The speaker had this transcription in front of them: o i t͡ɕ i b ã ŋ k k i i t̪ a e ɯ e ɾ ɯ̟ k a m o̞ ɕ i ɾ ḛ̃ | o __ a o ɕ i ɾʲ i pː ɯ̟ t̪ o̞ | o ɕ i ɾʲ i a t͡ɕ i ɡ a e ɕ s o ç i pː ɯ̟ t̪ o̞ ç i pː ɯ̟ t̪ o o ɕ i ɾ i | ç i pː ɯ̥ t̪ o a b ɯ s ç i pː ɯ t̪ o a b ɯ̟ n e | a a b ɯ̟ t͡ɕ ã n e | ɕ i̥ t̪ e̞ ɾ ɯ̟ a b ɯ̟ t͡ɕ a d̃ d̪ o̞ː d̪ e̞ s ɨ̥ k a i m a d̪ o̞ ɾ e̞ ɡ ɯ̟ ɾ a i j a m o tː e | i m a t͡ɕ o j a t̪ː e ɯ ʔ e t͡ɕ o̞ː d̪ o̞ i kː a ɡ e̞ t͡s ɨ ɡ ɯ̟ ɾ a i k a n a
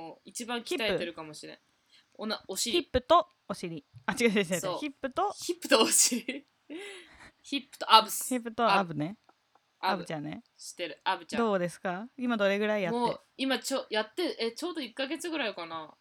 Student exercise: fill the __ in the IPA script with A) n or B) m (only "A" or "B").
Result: A